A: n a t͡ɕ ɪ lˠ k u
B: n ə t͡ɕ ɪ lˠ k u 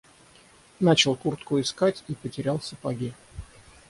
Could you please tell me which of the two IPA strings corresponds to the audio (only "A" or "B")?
A